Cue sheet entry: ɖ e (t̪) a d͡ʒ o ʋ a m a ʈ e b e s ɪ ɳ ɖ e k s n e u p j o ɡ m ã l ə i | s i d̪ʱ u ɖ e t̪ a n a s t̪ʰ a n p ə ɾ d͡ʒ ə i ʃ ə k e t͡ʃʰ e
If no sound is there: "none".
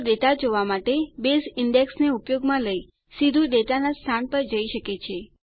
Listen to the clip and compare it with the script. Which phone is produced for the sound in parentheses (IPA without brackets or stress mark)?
t̪